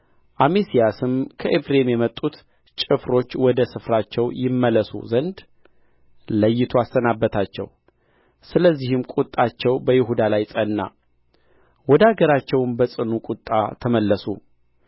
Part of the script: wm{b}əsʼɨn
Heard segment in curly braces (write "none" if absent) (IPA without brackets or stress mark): b